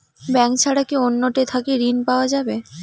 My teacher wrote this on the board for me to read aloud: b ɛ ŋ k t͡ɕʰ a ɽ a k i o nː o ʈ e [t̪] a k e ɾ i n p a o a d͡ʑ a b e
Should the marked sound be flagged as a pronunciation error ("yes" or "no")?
yes